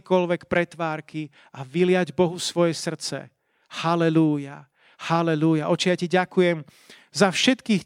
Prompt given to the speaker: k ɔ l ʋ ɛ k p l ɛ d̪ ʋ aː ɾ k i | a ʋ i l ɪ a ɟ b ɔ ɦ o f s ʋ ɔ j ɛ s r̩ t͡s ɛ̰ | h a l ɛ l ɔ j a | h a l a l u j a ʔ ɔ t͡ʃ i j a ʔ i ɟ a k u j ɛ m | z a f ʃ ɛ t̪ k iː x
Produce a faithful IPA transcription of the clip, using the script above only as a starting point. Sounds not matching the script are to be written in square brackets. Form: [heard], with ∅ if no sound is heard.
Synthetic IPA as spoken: k ɔ l ʋ ɛ k p [ɾ] ɛ [t̪] ʋ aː ɾ k i | a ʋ i l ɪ a ɟ b ɔ ɦ [u] f s ʋ ɔ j ɛ s r̩ t͡s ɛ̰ | h a l ɛ l [u] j a | h a l [ɛ] l u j a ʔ ɔ t͡ʃ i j a [c] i ɟ a k u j ɛ m | z a f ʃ ɛ t̪ k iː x